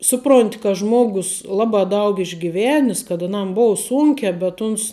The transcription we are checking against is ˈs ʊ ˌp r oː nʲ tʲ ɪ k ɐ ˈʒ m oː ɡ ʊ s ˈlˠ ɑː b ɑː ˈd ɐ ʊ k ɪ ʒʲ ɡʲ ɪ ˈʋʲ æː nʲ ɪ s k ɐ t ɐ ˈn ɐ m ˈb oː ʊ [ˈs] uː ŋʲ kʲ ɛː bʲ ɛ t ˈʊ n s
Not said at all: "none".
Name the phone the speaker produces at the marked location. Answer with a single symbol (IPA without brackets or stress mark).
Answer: s